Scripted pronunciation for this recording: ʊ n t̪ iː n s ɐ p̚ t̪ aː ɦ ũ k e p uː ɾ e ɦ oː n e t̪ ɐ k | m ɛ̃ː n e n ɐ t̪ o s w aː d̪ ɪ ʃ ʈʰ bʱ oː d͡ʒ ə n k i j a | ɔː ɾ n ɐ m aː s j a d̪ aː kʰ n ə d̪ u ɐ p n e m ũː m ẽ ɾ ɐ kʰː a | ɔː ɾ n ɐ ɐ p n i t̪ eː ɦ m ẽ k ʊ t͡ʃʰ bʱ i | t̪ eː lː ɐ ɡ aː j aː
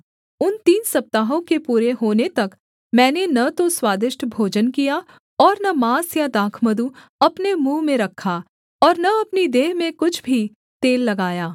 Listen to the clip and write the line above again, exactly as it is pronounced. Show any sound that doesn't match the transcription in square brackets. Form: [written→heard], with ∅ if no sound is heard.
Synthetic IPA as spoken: ʊ n t̪ iː n s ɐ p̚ t̪ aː ɦ [ũ→õ] k e p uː ɾ e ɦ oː n e t̪ ɐ k | m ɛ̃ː n e n ɐ t̪ o s w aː d̪ ɪ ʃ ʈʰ bʱ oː d͡ʒ ə n k i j a | ɔː ɾ n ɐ m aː s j a d̪ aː kʰ [n→m] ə d̪ u ɐ p n e m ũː m ẽ ɾ ɐ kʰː a | ɔː ɾ n ɐ ɐ p n i [t̪→d̪] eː ɦ m ẽ k ʊ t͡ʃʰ bʱ i | t̪ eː lː ɐ ɡ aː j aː